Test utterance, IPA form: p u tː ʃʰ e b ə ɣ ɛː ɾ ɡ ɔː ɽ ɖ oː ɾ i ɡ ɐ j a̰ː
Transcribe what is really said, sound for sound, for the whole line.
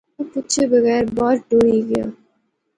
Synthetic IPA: p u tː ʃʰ e b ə ɣ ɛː ɾ b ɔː ɾ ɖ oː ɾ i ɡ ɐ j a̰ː